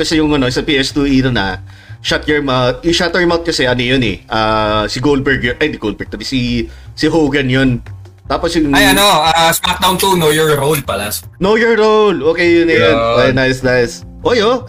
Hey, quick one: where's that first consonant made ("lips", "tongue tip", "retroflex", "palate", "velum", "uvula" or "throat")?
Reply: velum